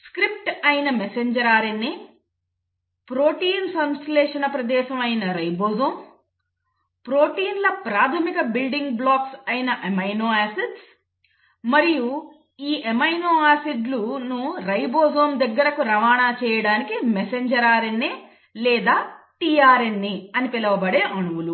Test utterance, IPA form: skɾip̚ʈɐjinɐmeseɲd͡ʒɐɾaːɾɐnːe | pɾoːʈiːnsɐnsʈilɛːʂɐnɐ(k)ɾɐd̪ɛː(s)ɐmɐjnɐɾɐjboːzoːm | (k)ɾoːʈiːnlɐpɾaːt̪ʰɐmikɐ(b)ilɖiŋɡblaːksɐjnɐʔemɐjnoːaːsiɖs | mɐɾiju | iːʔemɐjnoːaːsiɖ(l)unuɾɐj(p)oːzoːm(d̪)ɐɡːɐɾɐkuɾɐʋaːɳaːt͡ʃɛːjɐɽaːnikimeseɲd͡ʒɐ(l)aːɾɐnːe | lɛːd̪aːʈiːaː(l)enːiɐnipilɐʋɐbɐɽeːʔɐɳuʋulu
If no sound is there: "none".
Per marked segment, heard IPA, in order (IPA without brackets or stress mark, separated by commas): p, ʃ, p, b, l, b, d̪, ɾ, ɾ